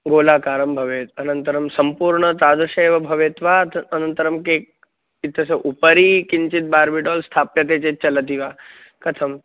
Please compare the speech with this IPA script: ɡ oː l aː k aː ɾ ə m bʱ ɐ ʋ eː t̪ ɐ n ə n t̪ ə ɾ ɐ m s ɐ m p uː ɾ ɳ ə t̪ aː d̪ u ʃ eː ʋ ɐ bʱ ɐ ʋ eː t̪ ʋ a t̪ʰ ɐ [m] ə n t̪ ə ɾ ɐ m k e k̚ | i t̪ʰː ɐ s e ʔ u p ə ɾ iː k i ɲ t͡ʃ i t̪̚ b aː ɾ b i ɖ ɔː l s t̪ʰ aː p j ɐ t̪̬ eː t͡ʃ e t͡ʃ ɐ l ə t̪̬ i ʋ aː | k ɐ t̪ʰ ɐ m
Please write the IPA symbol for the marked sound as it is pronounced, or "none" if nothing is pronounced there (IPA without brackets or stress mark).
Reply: n